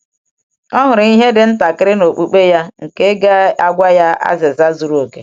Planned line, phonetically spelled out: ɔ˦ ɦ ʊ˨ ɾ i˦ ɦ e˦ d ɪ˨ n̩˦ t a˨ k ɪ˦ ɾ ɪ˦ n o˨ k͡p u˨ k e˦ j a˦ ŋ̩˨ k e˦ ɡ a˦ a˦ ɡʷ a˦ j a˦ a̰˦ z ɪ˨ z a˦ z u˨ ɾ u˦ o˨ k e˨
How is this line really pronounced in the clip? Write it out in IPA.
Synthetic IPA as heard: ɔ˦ ɦ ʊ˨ ɾ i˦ ɦ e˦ d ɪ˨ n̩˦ t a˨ k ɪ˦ ɾ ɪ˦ n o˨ k͡p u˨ k͡p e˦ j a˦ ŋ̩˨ k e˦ ɡ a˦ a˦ ɡʷ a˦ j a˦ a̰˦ z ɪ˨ z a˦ z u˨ ɾ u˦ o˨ k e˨